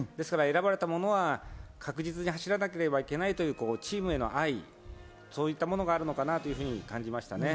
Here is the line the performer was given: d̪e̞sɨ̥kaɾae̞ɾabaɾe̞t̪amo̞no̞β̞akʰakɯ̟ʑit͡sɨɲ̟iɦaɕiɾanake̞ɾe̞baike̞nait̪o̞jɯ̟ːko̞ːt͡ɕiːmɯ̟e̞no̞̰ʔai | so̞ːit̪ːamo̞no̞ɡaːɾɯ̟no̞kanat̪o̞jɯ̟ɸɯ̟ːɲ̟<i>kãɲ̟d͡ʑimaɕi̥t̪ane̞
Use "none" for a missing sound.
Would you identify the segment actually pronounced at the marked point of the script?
i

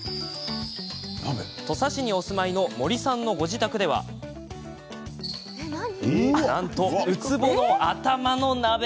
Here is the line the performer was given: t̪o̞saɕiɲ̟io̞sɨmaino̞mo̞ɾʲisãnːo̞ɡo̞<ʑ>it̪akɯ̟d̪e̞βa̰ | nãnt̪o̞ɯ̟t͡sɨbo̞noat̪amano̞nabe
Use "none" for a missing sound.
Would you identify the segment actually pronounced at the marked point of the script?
ʑ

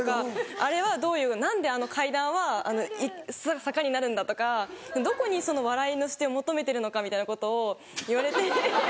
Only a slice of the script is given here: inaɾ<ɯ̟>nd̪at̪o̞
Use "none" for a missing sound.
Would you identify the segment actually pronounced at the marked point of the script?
ɯ̟̃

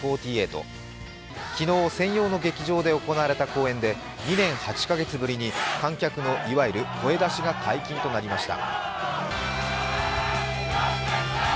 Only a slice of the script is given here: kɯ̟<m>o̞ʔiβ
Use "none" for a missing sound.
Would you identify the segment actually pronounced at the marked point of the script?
n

